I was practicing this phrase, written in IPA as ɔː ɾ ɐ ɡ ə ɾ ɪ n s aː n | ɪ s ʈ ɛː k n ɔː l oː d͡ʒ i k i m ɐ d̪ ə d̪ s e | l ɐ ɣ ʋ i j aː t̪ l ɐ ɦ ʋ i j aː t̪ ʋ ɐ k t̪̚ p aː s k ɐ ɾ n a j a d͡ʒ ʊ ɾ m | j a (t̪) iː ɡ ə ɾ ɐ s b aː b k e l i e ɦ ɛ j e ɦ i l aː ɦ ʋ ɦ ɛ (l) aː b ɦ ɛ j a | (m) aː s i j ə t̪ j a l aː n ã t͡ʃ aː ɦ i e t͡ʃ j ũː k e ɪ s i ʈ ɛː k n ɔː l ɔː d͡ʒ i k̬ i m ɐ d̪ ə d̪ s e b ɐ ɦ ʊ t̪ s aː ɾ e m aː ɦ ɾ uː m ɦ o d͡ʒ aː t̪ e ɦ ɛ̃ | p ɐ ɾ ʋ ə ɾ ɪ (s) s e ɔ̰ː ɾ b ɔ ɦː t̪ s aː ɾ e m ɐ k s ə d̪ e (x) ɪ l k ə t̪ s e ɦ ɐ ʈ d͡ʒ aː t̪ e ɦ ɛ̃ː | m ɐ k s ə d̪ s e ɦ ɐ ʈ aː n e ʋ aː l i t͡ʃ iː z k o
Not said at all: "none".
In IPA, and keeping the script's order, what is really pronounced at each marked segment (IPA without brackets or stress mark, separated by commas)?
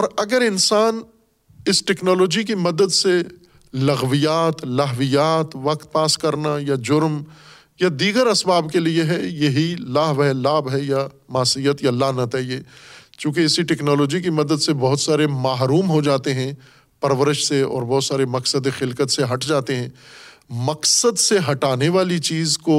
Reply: d̪, l, m, ʃ, x